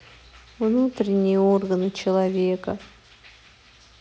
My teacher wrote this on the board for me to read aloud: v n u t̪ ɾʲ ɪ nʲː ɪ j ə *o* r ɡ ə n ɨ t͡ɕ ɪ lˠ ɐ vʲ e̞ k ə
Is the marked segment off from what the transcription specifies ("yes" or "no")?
no